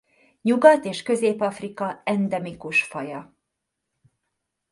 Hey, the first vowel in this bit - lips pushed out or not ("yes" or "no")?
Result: yes